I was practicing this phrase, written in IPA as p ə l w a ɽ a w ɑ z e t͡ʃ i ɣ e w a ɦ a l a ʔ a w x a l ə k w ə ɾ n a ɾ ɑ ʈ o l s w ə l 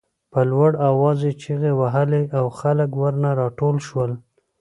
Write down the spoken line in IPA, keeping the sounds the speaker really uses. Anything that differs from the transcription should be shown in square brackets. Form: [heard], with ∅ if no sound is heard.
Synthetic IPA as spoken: p ə l w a ɽ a w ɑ z e t͡ʃ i ɣ e w a ɦ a l [e] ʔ a w x a l ə k w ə ɾ n a ɾ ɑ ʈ o l [ʃ] w ə l

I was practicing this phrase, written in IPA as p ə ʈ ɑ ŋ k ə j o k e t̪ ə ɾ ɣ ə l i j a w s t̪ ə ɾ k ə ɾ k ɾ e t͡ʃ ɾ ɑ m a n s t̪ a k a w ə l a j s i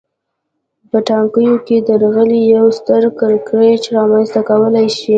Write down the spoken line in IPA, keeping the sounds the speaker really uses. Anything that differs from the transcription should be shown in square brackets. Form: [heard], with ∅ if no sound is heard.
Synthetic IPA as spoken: p ə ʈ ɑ ŋ k ə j o k e [d̪] ə ɾ ɣ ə l i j a w s t̪ ə ɾ k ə ɾ k ɾ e t͡ʃ ɾ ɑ m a n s t̪ a k a w ə l a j [ʃ] i

